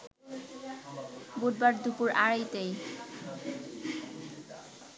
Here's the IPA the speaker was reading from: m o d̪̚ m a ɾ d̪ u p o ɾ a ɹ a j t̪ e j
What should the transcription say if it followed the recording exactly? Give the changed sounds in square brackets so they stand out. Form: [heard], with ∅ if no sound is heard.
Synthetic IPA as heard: [b] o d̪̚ [b] a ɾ d̪ u p [u] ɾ a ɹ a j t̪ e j